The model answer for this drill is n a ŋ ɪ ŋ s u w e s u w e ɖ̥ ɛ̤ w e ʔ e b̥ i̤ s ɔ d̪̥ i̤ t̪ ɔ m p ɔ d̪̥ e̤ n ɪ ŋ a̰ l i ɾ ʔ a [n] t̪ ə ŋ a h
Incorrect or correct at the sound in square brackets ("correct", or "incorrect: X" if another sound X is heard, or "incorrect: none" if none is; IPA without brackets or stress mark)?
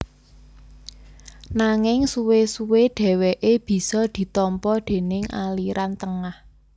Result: correct